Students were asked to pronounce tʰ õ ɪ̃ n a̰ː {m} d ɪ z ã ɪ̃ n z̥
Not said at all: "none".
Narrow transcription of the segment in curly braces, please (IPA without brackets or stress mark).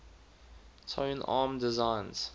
m